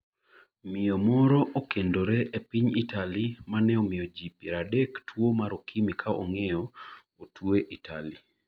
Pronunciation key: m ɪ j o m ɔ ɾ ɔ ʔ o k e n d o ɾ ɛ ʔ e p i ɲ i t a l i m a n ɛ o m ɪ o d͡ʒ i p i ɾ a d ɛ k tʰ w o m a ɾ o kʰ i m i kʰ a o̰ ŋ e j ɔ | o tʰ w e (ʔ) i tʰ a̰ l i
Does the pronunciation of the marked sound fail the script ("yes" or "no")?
no